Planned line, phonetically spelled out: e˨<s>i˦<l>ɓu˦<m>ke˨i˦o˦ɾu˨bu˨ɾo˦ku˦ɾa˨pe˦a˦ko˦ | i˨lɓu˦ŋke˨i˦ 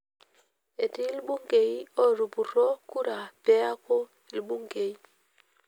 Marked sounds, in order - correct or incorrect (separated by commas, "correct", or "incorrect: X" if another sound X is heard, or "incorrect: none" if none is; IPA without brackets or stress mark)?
incorrect: t, correct, incorrect: ŋ